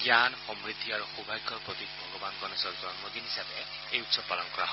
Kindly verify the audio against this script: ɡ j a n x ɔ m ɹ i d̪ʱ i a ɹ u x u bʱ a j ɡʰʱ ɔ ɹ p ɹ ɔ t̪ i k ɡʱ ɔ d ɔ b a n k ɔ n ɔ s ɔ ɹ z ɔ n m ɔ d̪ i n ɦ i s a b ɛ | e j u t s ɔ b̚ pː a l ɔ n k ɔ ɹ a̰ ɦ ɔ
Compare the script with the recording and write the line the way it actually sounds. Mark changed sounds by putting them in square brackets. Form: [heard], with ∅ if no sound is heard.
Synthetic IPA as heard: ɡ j a n x ɔ m ɹ i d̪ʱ i a ɹ u x u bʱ a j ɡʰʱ ɔ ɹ p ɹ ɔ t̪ i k [bʱ] ɔ [ɡ] ɔ b a n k ɔ n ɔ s ɔ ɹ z ɔ n m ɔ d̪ i n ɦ i s a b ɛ | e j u t s ɔ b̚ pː a l ɔ n k ɔ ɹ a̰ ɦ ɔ